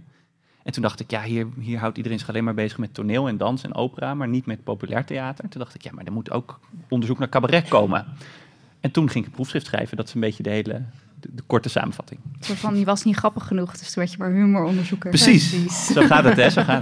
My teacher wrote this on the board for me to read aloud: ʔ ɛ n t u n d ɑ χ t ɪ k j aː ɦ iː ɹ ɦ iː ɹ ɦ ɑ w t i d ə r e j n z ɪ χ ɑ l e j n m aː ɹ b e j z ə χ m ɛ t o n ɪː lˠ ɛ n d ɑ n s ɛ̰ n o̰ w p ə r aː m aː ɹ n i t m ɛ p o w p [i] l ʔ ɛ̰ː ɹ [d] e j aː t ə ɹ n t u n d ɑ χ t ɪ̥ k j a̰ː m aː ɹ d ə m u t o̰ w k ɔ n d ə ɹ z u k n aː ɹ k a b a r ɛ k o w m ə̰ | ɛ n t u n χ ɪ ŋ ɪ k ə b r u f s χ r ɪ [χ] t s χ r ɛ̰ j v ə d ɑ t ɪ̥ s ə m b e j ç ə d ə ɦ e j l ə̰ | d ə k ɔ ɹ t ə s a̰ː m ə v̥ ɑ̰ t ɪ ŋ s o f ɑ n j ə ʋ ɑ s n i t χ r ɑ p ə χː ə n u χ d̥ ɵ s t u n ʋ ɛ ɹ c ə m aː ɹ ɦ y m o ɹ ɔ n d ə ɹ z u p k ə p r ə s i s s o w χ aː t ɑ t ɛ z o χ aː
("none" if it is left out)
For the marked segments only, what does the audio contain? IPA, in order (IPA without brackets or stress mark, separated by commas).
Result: y, t, f